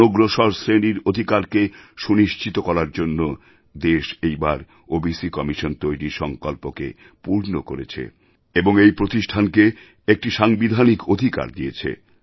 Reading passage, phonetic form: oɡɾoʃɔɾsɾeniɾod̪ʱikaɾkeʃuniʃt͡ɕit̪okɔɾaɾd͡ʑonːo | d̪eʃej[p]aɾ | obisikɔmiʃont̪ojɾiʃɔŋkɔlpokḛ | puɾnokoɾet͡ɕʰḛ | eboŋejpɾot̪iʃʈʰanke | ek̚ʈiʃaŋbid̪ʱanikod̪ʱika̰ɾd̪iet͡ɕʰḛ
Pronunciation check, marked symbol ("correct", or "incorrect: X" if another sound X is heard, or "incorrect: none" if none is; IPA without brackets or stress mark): incorrect: b